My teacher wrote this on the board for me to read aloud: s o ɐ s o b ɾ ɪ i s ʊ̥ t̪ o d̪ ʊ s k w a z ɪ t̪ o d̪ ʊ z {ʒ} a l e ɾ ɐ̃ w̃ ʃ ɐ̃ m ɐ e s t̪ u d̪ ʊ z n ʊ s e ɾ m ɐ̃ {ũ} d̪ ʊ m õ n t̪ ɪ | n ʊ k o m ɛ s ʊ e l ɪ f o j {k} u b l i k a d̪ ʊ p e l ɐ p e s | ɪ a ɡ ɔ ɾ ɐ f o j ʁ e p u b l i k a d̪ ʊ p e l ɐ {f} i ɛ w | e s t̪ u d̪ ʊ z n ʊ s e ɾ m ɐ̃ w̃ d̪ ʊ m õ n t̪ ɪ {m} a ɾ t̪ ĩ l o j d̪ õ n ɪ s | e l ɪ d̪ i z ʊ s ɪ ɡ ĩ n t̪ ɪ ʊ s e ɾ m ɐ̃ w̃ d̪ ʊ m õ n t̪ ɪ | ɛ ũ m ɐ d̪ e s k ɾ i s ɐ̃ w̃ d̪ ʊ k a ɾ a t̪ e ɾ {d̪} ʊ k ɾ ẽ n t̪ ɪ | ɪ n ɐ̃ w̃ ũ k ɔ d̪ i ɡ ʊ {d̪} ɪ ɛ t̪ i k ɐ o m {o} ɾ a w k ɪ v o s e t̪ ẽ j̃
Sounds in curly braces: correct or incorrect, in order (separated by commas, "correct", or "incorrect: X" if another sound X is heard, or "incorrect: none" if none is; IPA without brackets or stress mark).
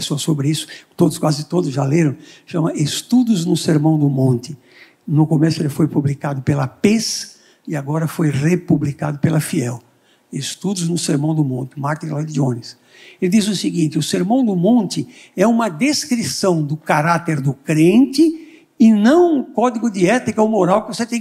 correct, incorrect: w̃, incorrect: p, correct, correct, correct, correct, correct